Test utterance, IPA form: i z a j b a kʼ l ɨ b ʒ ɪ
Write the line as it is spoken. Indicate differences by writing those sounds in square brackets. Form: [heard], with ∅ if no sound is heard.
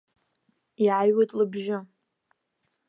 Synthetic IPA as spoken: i [ʕ] a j [w] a [tʼ] l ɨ b ʒ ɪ